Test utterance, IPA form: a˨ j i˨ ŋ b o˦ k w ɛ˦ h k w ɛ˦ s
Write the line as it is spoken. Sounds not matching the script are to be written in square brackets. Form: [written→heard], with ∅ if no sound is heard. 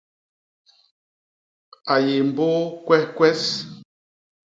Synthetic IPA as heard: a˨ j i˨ [ŋ→m] b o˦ k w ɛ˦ h k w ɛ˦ s